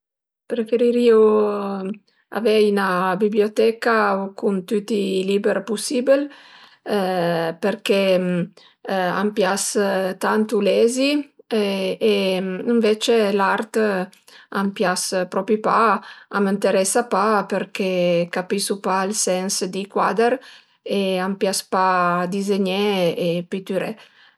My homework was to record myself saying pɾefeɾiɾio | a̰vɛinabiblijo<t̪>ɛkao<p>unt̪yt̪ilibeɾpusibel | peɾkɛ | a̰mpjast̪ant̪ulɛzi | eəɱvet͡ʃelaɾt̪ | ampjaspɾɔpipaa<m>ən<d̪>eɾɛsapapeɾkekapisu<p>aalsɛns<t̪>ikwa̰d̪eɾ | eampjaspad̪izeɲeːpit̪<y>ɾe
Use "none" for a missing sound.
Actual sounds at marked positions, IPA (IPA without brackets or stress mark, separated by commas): t̪, k, m, t̪, p, d̪, y